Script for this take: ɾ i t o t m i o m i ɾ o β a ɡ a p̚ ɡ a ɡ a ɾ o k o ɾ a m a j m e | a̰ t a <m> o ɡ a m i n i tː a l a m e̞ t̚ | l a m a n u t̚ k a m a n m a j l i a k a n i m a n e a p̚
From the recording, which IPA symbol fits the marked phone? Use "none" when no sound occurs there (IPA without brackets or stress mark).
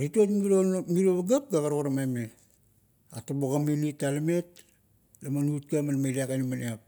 b